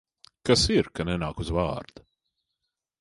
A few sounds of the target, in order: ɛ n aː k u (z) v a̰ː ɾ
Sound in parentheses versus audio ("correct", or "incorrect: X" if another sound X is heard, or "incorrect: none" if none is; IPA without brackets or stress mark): correct